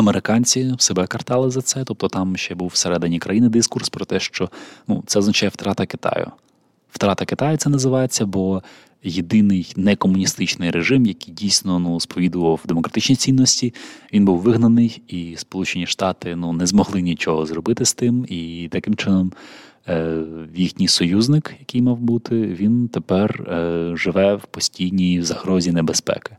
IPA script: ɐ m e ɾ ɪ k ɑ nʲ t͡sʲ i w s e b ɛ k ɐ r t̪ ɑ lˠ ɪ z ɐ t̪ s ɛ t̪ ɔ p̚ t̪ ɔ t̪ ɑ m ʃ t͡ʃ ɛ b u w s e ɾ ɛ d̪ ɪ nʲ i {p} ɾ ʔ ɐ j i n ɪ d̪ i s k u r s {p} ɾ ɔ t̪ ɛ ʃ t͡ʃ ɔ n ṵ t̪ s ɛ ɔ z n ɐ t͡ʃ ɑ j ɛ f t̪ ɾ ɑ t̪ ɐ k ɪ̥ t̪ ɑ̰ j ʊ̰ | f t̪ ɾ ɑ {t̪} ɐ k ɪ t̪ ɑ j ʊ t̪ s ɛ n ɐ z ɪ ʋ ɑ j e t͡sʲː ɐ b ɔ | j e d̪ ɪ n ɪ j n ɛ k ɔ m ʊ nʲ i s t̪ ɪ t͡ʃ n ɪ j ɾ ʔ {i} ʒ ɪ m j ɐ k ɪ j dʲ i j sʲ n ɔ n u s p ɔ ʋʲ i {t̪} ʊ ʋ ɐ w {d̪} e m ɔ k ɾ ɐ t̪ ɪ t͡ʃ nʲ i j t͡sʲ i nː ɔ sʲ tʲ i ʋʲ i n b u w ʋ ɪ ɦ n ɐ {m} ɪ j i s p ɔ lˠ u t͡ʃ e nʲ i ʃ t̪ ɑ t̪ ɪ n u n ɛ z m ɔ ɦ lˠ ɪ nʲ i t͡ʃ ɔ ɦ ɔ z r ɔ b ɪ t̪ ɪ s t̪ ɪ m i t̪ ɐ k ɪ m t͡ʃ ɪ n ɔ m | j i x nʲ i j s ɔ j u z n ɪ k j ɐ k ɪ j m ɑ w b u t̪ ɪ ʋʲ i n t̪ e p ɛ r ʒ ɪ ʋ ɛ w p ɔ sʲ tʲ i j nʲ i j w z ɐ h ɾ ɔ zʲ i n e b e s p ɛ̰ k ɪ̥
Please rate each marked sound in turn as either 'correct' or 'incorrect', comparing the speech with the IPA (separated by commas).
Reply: incorrect, correct, correct, incorrect, incorrect, correct, incorrect